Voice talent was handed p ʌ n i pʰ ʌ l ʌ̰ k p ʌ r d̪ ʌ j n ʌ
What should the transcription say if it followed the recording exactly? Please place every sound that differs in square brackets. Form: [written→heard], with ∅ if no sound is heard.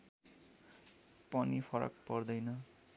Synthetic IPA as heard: p ʌ n i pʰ ʌ [l→ɾ] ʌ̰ k p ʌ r d̪ ʌ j n ʌ